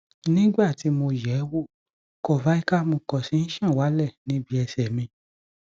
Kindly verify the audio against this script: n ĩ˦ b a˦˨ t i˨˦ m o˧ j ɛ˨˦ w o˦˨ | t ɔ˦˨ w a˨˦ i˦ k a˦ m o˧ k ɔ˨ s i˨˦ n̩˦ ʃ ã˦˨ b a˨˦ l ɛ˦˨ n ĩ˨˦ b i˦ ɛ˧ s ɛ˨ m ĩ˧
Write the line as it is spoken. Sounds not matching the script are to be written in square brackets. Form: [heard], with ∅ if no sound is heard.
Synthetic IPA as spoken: n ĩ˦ [ɡ͡b] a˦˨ t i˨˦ m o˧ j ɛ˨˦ w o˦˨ | [k] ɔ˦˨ [v] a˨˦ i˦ k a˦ m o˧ k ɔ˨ s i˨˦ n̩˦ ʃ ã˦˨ [w] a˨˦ l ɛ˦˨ n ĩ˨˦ b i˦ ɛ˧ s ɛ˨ m ĩ˧